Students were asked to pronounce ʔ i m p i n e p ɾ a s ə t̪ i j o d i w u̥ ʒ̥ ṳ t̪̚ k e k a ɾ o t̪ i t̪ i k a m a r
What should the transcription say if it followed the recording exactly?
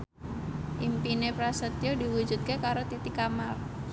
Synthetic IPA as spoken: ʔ i m p i n e p ɾ a s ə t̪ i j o d i w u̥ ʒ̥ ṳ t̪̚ k e k a ɾ o t̪ i t̪ i k a m a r